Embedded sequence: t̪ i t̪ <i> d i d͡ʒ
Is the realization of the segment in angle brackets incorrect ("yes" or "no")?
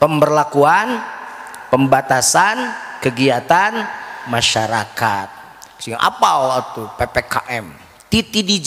no